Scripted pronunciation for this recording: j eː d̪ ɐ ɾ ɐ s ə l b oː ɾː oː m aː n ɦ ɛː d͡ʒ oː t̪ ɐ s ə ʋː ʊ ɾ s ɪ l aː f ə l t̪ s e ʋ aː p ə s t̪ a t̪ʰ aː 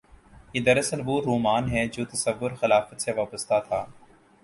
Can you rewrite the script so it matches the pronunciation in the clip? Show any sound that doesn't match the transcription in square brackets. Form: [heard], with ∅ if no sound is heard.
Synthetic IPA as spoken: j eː d̪ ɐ ɾ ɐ s ə l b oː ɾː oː m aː n ɦ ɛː d͡ʒ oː t̪ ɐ s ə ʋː ʊ ɾ [x] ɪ l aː f ə [∅] t̪ s e ʋ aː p ə s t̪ a t̪ʰ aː